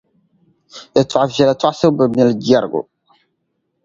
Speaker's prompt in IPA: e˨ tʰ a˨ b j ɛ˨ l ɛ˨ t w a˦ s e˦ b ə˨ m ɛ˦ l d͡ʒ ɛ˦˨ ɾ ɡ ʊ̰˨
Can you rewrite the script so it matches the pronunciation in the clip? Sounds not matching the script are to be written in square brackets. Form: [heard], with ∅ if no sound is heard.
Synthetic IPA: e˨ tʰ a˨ [v] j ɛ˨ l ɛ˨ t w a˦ s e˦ b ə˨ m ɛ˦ l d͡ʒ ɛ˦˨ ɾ ɡ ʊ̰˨